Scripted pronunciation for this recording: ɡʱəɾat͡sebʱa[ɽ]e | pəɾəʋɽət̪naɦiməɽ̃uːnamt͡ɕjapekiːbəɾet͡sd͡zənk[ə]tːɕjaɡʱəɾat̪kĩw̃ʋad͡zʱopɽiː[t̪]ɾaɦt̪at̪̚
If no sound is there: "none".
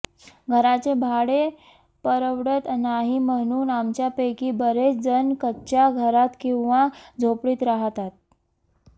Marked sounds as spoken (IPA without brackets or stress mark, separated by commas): ɽ, ə, t̪